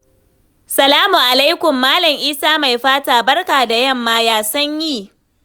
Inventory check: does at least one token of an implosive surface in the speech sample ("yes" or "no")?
no